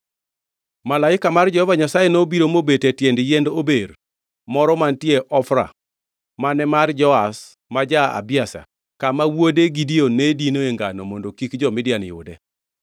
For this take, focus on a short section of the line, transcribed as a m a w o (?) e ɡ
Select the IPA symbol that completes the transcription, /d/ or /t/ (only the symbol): d